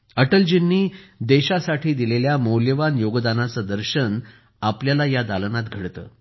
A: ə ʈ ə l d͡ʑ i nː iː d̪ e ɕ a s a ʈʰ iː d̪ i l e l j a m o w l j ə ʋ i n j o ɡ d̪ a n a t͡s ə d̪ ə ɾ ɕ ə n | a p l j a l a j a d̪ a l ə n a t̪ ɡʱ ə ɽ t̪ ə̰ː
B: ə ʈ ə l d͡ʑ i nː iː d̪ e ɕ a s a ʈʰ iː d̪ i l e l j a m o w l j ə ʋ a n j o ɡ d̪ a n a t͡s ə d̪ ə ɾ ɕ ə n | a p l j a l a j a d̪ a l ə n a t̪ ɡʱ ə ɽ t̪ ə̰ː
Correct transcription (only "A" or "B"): B